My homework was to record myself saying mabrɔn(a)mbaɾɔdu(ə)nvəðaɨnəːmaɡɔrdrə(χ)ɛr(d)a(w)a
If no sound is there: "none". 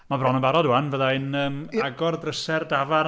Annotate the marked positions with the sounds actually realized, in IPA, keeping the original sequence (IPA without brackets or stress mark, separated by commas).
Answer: ə, a, s, d, v